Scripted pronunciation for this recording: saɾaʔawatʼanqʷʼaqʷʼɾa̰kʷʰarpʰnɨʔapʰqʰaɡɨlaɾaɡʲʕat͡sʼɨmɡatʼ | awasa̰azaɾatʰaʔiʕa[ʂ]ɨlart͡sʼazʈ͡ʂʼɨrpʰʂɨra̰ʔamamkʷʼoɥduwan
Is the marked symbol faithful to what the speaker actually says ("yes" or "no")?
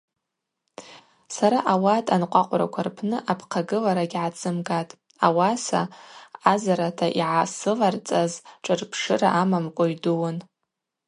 no